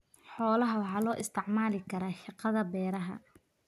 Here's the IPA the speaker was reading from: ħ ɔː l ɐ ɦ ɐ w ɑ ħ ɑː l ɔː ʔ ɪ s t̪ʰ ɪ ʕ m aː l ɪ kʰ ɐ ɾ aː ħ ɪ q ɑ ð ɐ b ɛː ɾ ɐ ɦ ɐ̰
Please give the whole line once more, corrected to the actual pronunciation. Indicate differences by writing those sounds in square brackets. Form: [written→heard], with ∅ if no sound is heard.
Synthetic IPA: ħ ɔː l ɐ ɦ ɐ w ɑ ħ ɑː l ɔː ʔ ɪ s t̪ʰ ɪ ʕ m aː l ɪ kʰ ɐ ɾ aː [ħ→ʃ] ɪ q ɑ ð ɐ b ɛː ɾ ɐ ɦ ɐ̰